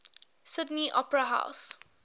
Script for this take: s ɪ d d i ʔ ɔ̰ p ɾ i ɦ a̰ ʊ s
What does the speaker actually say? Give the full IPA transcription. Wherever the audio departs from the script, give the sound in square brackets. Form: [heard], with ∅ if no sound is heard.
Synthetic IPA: s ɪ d [n] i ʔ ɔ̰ p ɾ [a] ɦ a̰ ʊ s